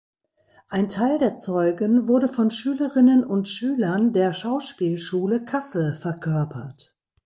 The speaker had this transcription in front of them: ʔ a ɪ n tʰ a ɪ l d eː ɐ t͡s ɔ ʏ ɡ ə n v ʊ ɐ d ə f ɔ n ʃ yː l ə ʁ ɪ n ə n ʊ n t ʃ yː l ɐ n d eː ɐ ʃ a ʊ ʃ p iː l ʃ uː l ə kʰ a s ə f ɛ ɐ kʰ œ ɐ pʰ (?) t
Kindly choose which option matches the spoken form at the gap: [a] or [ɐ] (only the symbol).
ɐ